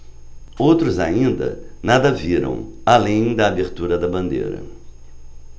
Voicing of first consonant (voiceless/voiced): voiced